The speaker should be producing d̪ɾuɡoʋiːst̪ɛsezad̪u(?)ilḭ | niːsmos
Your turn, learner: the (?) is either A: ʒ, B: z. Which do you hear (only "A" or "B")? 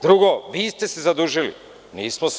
A